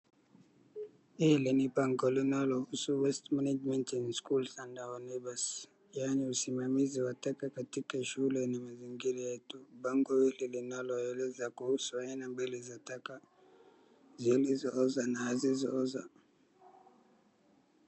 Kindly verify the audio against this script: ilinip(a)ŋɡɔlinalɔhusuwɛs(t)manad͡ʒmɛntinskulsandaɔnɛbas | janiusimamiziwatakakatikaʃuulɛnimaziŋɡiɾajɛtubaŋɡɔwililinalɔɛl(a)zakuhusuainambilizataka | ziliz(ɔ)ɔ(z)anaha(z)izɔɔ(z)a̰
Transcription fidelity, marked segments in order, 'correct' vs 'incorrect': correct, correct, incorrect: ɛ, correct, correct, correct, correct

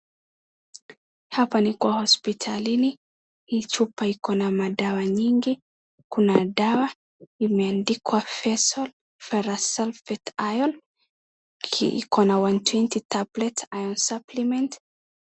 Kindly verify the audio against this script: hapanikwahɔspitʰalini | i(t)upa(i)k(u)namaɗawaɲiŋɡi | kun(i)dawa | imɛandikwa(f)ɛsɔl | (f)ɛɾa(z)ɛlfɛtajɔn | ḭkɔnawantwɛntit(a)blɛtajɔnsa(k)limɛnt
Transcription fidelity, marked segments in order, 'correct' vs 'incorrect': incorrect: t͡ʃ, correct, incorrect: ɔ, incorrect: a, correct, correct, incorrect: s, correct, incorrect: p

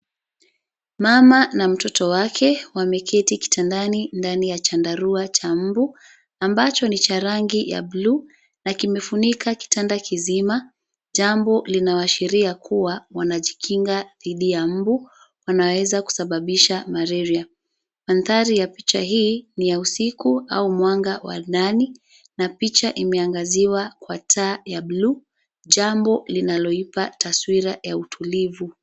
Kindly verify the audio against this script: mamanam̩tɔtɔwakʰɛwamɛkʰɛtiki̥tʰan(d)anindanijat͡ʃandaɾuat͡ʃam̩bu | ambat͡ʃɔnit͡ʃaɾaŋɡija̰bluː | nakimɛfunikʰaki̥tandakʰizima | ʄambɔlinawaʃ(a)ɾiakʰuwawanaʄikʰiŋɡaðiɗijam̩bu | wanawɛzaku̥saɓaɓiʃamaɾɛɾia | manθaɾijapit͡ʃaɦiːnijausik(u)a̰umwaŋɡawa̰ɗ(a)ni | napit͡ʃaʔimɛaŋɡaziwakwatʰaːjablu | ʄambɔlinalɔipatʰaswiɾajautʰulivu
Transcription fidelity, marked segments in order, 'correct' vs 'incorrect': correct, incorrect: i, correct, correct

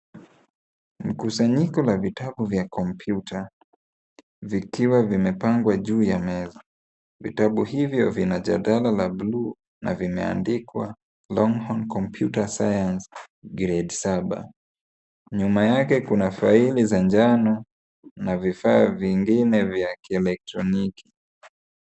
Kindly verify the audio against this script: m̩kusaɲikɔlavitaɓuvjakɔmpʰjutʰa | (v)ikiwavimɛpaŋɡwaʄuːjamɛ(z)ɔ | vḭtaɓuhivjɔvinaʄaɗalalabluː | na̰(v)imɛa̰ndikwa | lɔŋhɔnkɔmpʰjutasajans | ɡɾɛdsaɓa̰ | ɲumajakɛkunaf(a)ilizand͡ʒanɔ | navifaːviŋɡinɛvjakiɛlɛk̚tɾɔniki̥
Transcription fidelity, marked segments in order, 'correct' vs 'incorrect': correct, correct, correct, correct

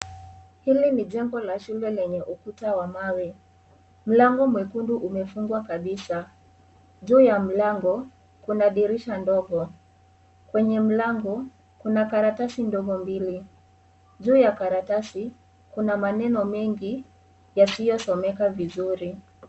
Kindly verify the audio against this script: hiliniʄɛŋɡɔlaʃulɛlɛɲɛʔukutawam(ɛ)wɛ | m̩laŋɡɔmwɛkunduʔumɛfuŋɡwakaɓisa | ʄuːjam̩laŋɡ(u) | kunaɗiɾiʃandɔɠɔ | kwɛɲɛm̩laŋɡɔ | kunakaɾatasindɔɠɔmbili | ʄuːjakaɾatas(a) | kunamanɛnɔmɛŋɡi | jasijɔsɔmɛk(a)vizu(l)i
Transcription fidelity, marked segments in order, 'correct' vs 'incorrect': incorrect: a, incorrect: ɔ, incorrect: i, correct, incorrect: ɾ

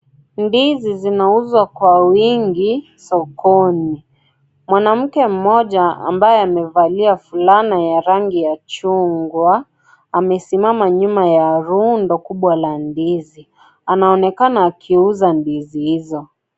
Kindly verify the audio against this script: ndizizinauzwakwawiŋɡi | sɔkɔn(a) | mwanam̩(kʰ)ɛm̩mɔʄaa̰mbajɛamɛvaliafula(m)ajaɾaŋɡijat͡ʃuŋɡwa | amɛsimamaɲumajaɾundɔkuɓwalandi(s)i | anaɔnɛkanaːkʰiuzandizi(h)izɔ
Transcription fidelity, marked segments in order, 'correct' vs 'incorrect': incorrect: i, incorrect: k, incorrect: n, incorrect: z, correct

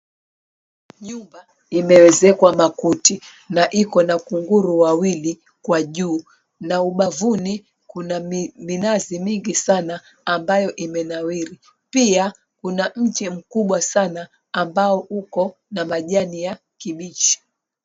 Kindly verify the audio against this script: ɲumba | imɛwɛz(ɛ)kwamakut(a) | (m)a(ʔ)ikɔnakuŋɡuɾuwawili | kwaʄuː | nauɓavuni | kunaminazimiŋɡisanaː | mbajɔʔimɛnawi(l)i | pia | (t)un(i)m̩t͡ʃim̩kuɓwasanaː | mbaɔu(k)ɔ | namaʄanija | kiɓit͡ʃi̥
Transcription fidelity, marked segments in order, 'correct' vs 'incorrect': correct, incorrect: i, incorrect: n, correct, incorrect: ɾ, incorrect: k, incorrect: a, correct

